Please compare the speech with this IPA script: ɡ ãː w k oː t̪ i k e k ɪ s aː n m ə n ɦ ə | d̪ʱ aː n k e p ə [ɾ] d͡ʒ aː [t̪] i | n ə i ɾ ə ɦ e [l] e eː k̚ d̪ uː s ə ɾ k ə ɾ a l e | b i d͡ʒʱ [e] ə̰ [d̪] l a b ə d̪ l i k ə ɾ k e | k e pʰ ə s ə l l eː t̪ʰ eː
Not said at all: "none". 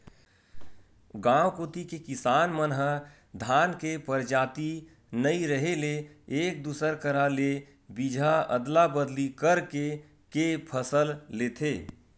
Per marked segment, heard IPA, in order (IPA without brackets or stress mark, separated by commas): ɾ, t̪, l, a, d̪